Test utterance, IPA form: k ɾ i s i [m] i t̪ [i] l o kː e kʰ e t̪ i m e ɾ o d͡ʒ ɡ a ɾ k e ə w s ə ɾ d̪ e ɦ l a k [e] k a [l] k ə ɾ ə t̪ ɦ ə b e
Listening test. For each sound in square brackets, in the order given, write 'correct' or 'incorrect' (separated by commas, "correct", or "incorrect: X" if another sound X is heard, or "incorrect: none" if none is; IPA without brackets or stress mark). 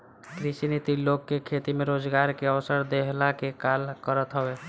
incorrect: n, correct, correct, correct